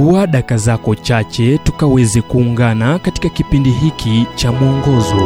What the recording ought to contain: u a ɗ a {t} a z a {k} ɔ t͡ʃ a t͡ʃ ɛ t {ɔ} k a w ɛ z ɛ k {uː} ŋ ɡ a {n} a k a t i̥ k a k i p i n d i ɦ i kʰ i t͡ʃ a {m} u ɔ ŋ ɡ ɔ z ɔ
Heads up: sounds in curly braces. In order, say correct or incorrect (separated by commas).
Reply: incorrect, correct, incorrect, correct, correct, correct